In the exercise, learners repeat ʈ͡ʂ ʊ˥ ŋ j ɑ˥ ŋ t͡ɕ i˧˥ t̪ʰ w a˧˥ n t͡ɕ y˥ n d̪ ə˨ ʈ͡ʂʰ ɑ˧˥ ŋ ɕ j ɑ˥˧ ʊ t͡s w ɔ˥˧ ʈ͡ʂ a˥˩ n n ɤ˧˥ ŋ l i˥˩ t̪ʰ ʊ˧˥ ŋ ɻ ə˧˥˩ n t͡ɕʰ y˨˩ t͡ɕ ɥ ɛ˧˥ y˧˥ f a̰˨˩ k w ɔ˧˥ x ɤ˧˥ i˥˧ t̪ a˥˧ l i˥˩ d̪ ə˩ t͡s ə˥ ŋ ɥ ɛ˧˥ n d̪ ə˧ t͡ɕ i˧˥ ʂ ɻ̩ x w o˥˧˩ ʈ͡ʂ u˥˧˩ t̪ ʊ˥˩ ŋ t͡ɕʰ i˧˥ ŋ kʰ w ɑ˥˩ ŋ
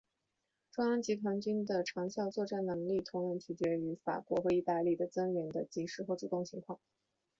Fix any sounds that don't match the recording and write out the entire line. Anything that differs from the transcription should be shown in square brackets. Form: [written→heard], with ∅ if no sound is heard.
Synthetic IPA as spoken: ʈ͡ʂ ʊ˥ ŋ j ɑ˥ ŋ t͡ɕ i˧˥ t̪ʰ w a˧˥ n t͡ɕ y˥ n d̪ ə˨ ʈ͡ʂʰ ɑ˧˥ ŋ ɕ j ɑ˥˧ ʊ t͡s w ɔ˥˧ ʈ͡ʂ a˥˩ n n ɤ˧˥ ŋ l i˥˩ t̪ʰ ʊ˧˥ ŋ ɻ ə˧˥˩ n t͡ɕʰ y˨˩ t͡ɕ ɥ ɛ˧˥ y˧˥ f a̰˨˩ k w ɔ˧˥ x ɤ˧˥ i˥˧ t̪ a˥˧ l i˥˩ d̪ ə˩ t͡s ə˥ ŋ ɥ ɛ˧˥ n d̪ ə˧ t͡ɕ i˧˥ ʂ ɻ̩ x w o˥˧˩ ʈ͡ʂ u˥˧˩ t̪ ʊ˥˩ ŋ t͡ɕʰ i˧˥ ŋ kʰ w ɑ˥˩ ŋ